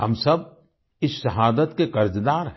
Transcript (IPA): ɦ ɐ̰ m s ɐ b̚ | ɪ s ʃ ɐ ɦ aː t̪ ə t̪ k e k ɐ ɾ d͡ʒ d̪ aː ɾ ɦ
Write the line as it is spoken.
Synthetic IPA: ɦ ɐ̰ m s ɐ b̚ | ɪ s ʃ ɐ ɦ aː d̪ ə t̪ k e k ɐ ɾ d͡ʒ d̪ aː ɾ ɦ

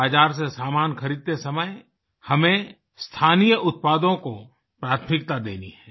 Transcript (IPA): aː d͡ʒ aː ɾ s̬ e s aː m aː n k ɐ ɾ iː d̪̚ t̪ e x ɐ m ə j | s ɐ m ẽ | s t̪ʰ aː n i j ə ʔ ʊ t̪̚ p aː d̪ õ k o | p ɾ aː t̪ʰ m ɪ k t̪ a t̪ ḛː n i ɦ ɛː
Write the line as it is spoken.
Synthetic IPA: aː d͡ʒ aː ɾ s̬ e s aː m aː n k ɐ ɾ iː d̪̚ t̪ e s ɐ m ə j | h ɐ m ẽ | s t̪ʰ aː n i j ə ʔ ʊ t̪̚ p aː d̪ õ k o | p ɾ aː t̪ʰ m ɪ k t̪ a d̪ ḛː n i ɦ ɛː

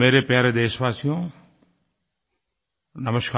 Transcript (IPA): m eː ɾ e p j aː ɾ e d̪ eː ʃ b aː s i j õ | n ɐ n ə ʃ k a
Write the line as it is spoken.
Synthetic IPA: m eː ɾ e p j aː ɾ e d̪ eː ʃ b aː s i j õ | n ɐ m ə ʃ k a

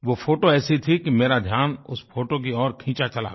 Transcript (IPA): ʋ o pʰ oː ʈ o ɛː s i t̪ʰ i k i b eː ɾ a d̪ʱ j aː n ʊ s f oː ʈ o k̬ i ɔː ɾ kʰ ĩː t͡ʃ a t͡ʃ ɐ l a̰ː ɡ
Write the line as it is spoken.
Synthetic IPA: ʋ o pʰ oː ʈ o ɛː s i t̪ʰ i k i m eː ɾ a d̪ʱ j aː n ʊ s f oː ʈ o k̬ i ɔː ɾ kʰ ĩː t͡ʃ a t͡ʃ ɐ l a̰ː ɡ

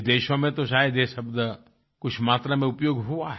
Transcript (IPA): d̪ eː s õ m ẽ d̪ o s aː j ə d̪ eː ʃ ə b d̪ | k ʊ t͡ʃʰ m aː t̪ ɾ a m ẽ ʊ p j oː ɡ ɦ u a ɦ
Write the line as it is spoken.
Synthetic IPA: d̪ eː ʃ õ m ẽ t̪ o ʃ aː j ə d̪ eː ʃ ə b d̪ | k ʊ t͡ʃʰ m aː t̪ ɾ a m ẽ ʊ p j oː ɡ ɦ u a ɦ

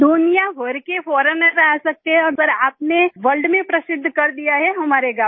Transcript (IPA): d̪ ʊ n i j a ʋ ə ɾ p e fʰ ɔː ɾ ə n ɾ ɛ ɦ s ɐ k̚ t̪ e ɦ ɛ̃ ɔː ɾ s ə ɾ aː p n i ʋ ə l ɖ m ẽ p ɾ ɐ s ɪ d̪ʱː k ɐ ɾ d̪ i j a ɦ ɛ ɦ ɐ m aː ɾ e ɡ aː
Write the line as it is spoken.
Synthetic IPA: d̪ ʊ n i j a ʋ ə ɾ k e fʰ ɔː ɾ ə n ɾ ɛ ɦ s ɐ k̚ t̪ e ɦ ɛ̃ ɔː ɾ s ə ɾ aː p n e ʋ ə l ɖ m ẽ p ɾ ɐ s ɪ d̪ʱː k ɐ ɾ d̪ i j a ɦ ɛ ɦ ɐ m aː ɾ e ɡ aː

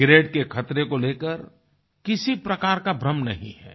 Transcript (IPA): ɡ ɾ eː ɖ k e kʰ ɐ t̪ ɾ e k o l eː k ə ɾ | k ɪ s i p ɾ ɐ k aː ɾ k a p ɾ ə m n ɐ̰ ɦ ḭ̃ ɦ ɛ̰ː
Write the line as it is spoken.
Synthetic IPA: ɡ ɾ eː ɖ k e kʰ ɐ t̪ ɾ e k o l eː k ə ɾ | k ɪ s i p ɾ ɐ k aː ɾ k a b ɾ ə m n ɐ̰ ɦ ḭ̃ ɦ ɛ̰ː

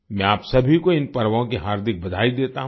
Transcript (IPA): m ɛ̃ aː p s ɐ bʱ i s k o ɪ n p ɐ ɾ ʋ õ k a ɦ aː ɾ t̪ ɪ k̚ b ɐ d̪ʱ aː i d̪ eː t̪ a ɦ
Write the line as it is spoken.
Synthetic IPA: m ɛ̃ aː p s ɐ bʱ i k o ɪ n p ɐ ɾ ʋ õ k i ɦ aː ɾ d̪ ɪ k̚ b ɐ d̪ʱ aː i d̪ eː t̪ a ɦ

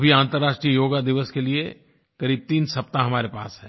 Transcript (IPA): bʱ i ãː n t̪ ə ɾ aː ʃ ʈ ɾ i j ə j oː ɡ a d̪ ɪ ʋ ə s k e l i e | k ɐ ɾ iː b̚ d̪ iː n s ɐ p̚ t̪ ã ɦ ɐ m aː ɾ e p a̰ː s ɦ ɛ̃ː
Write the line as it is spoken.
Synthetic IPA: bʱ i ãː n t̪ ə ɾ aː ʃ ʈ ɾ i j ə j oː ɡ a d̪ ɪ ʋ ə s k e l i e | k ɐ ɾ iː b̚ t̪ iː n s ɐ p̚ t̪ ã ɦ ɐ m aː ɾ e p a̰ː s ɦ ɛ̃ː

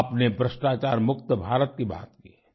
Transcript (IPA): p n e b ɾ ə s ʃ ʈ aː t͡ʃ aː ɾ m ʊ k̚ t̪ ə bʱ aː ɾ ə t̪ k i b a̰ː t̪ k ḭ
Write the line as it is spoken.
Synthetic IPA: p n e b ɾ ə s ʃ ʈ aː t͡ʃ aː ɾ m ʊ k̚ t̪ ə bʱ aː ɾ ə t̪ k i b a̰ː t̪ k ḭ

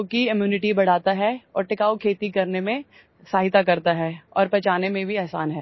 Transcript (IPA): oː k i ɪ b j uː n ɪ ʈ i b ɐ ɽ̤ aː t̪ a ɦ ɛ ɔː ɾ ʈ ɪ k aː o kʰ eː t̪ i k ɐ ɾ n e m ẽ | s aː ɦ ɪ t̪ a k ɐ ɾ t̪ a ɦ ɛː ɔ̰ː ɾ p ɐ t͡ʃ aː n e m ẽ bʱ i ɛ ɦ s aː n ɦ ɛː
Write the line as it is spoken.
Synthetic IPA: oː k i ɪ m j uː n ɪ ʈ i b ɐ ɽ̤ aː t̪ a ɦ ɛ ɔː ɾ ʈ ɪ k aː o kʰ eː t̪ i k ɐ ɾ n e m ẽ | s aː ɦ ɪ t̪ a k ɐ ɾ t̪ a ɦ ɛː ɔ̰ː ɾ p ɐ t͡ʃ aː n e m ẽ bʱ i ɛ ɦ s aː n ɦ ɛː

